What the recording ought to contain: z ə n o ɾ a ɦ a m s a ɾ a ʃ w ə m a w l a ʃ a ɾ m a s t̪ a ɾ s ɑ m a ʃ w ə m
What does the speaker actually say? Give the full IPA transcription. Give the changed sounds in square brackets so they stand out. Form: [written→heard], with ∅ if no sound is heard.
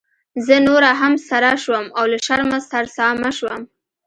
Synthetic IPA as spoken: z ə n o ɾ a ɦ a m s a ɾ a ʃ w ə m a w l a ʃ a ɾ m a s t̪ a ɾ s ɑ m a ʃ w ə m